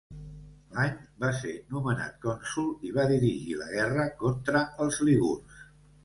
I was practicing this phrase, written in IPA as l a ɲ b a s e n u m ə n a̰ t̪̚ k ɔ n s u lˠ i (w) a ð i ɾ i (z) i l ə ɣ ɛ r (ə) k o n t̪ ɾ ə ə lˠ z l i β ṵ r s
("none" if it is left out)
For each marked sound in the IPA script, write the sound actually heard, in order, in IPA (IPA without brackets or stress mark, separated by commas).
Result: β, ʒ, ə